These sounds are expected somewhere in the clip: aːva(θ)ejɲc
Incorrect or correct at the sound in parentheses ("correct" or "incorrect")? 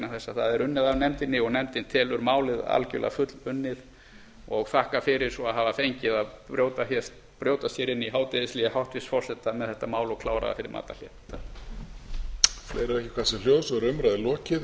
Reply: incorrect